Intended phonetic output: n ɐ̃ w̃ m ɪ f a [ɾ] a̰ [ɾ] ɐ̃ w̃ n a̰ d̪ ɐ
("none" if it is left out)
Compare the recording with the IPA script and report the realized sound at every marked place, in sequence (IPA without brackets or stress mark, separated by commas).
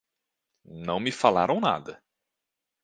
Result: l, ɾ